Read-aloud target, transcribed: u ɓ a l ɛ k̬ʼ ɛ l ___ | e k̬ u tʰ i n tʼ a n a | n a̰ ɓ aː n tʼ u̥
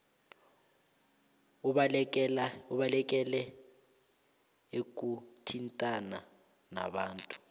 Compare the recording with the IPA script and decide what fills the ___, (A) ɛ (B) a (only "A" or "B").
A